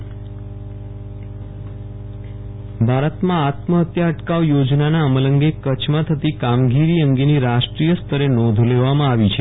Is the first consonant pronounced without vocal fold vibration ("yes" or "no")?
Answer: no